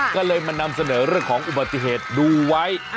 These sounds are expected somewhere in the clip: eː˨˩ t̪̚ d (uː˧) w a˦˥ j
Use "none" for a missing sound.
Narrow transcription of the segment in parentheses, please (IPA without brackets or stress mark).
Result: uː˧